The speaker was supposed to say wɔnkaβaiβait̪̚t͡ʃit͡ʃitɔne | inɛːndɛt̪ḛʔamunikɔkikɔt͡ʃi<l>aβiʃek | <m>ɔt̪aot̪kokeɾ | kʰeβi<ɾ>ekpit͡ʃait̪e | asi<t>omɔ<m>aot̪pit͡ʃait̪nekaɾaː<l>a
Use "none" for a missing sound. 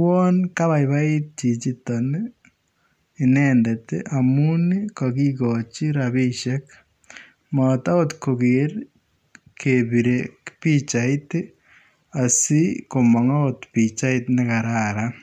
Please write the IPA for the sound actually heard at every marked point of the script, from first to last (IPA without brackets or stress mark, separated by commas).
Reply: ɾ, m, ɾ, k, ŋ, ɾ